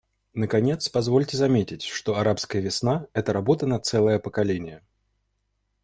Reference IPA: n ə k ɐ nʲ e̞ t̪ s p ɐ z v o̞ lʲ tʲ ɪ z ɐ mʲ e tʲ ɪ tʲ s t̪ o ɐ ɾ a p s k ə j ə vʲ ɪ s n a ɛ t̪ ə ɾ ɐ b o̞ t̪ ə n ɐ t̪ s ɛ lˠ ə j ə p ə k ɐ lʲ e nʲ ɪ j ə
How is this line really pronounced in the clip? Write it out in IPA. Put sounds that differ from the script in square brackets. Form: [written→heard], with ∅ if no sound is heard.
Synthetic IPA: n ə k ɐ nʲ e̞ t̪ s p ɐ z v o̞ lʲ tʲ ɪ z ɐ mʲ e tʲ ɪ tʲ [s→ʂ] t̪ o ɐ ɾ a p s k ə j ə vʲ ɪ s n a ɛ t̪ ə ɾ ɐ b o̞ t̪ ə n ɐ t̪ s ɛ lˠ ə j ə p ə k ɐ lʲ e nʲ ɪ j ə